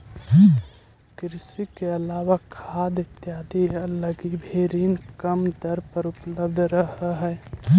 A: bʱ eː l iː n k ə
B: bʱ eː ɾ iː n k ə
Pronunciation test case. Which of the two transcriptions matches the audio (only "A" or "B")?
B